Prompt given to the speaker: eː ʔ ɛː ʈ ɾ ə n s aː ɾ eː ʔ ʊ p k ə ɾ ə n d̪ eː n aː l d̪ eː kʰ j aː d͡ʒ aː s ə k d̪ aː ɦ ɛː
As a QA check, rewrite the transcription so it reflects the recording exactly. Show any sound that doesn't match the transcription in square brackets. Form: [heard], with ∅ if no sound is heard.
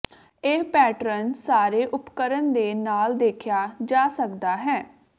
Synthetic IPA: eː [p] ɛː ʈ ɾ ə n s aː ɾ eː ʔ ʊ p k ə ɾ ə n d̪ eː n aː l d̪ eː kʰ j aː d͡ʒ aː s ə k d̪ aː ɦ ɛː